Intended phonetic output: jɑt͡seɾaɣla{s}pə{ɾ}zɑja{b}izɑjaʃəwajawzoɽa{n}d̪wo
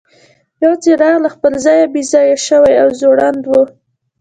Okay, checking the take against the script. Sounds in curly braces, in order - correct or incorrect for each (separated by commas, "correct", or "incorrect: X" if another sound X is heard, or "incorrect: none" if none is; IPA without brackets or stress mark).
incorrect: x, incorrect: l, correct, correct